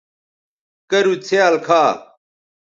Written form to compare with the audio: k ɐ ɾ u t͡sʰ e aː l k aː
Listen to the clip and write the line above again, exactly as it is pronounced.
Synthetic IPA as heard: k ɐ ɾ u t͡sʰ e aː l kʰ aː

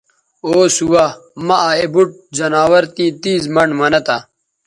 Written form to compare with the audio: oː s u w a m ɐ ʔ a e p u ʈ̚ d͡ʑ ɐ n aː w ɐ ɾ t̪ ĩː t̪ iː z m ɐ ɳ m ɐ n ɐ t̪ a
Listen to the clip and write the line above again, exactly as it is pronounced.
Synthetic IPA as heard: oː s u w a m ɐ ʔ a e b u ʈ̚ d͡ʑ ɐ n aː w ɐ ɾ t̪ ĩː t̪ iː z m ɐ ɳ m ɐ n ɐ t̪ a

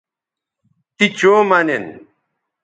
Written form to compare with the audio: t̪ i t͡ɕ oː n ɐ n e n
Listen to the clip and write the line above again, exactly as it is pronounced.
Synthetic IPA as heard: t̪ i t͡ɕ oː m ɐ n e n

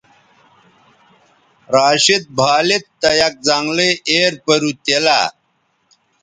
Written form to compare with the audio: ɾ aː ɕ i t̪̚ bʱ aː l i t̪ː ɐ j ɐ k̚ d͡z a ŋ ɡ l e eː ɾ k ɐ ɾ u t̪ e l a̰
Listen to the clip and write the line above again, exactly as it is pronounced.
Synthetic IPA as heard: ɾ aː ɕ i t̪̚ bʱ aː l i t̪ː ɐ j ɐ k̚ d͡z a ŋ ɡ l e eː ɾ p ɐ ɾ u t̪ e l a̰

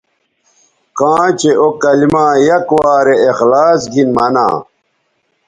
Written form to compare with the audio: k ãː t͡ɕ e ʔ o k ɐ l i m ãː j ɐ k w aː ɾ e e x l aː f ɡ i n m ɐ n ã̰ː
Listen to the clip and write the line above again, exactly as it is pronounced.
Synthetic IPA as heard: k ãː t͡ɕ e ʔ o k ɐ l i m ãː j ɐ k w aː ɾ e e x l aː s ɡ i n m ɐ n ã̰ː

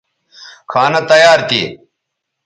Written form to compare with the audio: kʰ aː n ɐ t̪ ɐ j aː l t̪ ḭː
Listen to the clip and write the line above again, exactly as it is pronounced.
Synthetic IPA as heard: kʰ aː n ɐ t̪ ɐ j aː ɾ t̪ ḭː

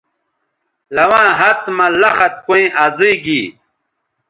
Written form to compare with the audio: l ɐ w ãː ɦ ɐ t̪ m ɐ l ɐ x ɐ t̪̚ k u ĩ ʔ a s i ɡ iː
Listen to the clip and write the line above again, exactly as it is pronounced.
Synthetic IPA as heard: l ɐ w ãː ɦ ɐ t̪ m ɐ l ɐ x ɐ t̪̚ k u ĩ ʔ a z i ɡ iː

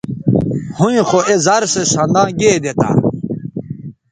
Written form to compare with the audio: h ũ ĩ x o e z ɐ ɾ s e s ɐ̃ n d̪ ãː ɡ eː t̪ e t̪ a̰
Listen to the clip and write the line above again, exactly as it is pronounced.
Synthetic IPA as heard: h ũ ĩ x o e z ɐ ɾ s e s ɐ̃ n d̪ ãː ɡ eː d̪ e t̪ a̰

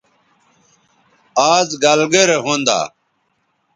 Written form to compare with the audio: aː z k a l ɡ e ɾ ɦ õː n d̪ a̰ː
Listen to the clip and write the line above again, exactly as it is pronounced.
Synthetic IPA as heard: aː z ɡ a l ɡ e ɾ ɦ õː n d̪ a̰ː

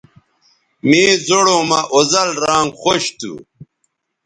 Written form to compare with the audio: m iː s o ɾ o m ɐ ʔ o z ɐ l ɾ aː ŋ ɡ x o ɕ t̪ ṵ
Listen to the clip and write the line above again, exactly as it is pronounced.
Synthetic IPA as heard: m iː z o ɽ o m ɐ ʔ o z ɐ l ɾ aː ŋ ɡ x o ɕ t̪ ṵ

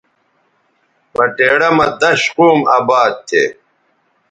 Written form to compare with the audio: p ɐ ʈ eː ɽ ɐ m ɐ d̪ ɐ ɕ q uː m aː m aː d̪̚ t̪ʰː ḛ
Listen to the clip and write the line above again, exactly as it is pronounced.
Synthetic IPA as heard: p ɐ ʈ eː ɽ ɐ m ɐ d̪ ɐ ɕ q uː m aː b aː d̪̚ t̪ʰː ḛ

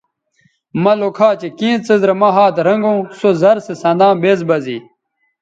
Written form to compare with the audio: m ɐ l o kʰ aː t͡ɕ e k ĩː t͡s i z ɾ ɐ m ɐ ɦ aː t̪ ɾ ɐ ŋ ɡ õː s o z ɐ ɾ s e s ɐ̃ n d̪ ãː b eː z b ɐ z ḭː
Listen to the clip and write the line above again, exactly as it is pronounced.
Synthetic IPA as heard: m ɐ l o kʰ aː t͡ɕ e k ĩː t͡s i z ɾ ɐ m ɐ ɦ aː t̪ ɾ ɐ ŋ ɡ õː s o z ɐ ɾ s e s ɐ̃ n d̪ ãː b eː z b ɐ z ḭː

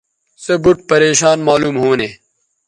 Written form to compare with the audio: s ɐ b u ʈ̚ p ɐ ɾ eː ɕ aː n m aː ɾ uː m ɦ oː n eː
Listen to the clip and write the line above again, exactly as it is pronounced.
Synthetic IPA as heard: s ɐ b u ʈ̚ p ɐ ɾ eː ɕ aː n m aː l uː m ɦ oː n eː

